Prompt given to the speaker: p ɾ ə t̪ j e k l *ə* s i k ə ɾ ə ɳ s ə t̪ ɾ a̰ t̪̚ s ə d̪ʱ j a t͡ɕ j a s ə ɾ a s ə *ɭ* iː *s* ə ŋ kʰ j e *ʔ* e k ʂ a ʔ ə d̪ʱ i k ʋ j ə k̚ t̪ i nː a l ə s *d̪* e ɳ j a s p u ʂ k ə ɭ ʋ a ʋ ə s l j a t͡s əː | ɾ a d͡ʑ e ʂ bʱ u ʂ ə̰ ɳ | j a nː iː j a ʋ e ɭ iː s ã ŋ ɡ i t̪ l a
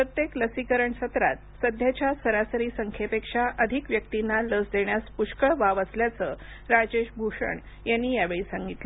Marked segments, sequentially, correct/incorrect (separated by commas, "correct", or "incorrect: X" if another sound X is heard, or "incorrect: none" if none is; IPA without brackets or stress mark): correct, incorrect: ɾ, correct, incorrect: p, correct